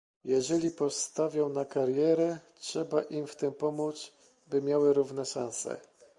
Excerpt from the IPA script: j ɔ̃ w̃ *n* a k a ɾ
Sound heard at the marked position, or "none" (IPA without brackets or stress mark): n